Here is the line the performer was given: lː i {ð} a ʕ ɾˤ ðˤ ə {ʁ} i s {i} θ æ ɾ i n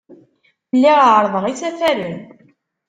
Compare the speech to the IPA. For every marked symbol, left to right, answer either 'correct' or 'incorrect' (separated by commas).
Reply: incorrect, correct, incorrect